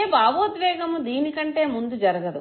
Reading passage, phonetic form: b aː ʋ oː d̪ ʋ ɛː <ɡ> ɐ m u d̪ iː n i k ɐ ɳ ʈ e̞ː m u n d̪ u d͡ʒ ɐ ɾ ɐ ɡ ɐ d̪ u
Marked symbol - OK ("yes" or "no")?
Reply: yes